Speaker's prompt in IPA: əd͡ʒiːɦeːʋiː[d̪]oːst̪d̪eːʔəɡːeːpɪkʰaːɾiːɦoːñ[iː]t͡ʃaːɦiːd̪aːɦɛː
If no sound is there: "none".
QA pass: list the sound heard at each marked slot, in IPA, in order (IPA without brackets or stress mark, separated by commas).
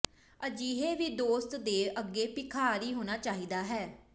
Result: d̪, aː